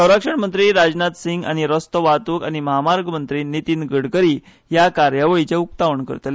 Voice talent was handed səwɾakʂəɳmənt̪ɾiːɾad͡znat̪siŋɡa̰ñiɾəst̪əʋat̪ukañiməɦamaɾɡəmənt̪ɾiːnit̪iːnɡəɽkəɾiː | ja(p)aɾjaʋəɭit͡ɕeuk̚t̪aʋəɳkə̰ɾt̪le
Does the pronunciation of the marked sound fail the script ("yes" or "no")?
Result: yes